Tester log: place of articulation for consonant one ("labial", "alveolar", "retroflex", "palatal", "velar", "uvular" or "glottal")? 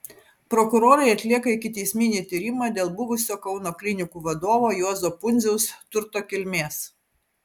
labial